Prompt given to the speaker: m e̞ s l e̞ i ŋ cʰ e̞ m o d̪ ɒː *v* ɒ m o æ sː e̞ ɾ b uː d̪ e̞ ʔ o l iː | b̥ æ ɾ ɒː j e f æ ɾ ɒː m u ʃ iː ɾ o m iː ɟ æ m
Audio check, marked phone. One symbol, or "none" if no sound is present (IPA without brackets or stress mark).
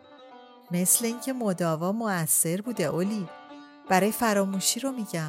v